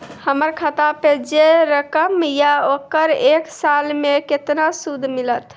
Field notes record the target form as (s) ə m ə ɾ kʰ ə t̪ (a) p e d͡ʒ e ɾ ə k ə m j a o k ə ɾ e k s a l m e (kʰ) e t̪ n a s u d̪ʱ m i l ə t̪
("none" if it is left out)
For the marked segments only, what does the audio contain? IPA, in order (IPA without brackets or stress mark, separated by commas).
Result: h, a, k